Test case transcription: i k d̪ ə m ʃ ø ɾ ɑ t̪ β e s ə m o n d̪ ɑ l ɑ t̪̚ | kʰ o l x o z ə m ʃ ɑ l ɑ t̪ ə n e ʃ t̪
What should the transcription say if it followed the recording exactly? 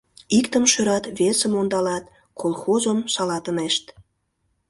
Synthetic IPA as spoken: i k t̪ ə m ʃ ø ɾ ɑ t̪ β e s ə m o n d̪ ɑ l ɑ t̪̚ | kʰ o l x o z ə m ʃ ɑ l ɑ t̪ ə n e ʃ t̪